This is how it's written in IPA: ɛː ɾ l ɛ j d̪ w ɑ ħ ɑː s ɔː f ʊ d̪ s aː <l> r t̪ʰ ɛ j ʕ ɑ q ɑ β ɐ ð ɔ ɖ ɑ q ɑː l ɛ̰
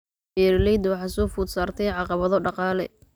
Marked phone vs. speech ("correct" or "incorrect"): incorrect